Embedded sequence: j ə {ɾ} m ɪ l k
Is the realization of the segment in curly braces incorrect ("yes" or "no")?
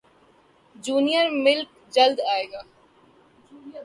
no